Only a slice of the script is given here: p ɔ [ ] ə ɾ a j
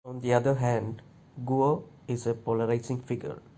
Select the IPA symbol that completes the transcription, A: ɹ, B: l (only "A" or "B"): B